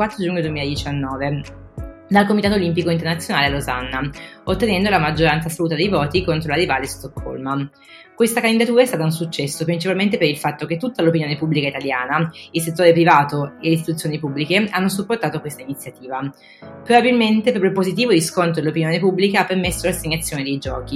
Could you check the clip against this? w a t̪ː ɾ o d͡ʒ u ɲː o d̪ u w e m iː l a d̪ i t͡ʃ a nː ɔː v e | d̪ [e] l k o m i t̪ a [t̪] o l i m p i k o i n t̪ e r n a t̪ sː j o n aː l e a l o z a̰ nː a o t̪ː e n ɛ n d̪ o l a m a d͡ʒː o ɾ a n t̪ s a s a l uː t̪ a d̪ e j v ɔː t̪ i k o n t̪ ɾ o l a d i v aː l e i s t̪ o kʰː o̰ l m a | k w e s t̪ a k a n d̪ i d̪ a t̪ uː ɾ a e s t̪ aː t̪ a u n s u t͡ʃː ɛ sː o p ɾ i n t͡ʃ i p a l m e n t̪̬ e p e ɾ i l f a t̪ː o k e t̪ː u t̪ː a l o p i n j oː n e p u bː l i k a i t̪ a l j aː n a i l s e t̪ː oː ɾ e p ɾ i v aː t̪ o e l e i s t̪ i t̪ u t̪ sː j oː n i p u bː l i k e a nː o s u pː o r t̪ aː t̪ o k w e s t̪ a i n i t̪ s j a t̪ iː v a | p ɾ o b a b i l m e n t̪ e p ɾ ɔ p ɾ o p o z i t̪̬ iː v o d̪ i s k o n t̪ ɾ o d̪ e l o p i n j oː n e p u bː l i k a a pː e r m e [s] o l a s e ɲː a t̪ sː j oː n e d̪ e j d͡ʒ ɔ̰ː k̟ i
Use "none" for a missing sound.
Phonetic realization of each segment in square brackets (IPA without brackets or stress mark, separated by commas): a, t̪, sː